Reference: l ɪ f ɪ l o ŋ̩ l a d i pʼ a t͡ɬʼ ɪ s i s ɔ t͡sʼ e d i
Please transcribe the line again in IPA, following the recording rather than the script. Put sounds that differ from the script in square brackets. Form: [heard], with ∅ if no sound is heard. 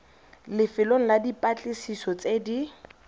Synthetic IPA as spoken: l ɪ f ɪ l o ŋ̩ l a d i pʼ a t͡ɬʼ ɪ s i s ɔ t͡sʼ e d i